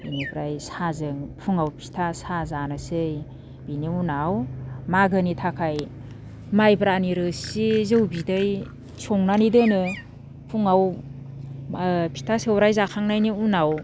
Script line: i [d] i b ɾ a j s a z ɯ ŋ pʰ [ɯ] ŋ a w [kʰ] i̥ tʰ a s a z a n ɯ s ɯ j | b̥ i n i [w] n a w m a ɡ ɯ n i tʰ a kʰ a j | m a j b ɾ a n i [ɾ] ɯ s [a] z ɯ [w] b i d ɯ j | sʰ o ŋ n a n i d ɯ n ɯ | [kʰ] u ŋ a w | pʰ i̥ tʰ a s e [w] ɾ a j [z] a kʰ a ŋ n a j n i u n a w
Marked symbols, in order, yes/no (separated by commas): no, no, no, no, yes, no, yes, no, yes, yes